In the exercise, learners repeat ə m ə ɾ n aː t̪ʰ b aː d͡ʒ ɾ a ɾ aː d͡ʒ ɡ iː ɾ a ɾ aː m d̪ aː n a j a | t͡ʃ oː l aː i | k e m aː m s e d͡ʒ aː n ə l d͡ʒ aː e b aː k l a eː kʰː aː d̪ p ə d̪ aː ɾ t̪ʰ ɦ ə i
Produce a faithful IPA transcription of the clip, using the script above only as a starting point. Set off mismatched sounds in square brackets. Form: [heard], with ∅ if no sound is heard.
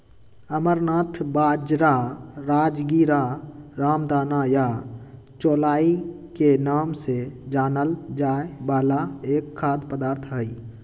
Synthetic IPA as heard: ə m ə ɾ n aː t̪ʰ b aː d͡ʒ ɾ a ɾ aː d͡ʒ ɡ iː ɾ a ɾ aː m d̪ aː n a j a | t͡ʃ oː l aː i | k e [n] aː m s e d͡ʒ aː n ə l d͡ʒ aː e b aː [∅] l a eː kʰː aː d̪ p ə d̪ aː ɾ t̪ʰ ɦ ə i